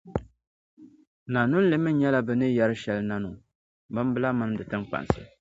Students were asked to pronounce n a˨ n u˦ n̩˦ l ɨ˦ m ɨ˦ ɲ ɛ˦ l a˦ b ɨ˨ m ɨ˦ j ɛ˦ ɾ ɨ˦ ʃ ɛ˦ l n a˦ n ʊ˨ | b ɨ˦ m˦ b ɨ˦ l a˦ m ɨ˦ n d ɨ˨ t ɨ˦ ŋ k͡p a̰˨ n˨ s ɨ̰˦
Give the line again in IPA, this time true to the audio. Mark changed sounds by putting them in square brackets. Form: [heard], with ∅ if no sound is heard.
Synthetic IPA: n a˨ n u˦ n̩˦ l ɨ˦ m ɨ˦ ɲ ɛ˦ l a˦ b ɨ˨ [n] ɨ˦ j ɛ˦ ɾ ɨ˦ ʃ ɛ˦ l n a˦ n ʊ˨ | b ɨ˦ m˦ b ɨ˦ l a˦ m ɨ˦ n d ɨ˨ t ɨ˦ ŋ k͡p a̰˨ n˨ s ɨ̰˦